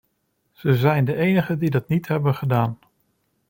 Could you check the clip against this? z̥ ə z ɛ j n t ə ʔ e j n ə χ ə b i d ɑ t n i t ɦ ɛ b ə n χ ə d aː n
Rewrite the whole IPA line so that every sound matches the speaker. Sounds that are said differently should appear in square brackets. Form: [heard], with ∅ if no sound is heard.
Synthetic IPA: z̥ ə z ɛ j n [d] ə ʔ e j n ə χ ə [d] i d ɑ t n i t ɦ ɛ b ə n χ ə d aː n